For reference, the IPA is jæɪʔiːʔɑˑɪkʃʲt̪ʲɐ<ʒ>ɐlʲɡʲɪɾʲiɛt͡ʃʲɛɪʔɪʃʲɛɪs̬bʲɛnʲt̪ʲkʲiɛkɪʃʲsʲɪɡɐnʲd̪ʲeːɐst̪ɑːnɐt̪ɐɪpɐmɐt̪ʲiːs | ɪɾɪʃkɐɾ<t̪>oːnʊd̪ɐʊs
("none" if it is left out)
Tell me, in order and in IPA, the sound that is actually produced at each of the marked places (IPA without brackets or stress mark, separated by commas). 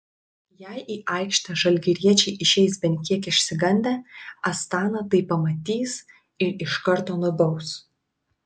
ʒ, t̪